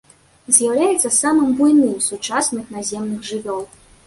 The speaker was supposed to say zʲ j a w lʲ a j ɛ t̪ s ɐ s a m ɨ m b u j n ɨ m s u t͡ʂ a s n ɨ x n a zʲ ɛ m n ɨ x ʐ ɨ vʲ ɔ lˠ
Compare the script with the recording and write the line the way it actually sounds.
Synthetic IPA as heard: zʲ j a w lʲ a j ɛ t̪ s ɐ s a m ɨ m b u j n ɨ m s u t͡ʂ a s n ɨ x n a zʲ ɛ m n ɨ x ʐ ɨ vʲ ɔ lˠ